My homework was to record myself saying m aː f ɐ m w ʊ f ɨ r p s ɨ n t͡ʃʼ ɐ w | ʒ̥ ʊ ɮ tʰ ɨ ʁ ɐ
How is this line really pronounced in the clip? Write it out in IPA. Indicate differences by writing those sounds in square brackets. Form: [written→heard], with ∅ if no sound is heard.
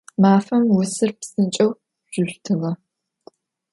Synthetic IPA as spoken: m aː f ɐ m w ʊ [f→s] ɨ r p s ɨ n t͡ʃʼ ɐ w | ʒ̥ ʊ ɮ tʰ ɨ ʁ ɐ